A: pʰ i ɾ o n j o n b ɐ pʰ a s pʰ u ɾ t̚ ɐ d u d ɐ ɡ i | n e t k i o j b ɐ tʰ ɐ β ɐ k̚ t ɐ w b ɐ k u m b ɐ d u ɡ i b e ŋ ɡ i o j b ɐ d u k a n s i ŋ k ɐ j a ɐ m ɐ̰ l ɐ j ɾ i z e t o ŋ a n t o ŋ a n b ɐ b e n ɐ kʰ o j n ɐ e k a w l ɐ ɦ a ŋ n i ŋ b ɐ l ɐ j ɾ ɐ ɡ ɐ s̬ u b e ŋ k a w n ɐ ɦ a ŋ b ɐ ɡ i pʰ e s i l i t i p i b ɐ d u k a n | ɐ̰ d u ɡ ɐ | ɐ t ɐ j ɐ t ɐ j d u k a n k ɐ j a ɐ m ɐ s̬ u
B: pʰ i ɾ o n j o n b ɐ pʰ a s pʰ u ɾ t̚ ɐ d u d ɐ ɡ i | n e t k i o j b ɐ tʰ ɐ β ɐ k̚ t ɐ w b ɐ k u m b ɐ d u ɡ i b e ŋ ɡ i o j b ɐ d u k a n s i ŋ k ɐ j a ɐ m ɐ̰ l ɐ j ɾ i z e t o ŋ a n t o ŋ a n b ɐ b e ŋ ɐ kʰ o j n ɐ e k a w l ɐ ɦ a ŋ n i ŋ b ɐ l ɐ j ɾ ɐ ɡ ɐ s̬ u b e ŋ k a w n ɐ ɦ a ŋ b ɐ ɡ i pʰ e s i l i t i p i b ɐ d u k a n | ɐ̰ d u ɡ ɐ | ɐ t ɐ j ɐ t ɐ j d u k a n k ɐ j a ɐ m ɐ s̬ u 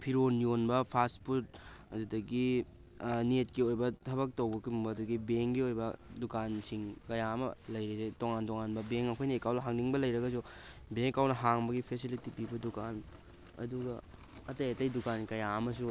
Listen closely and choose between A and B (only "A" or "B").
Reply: B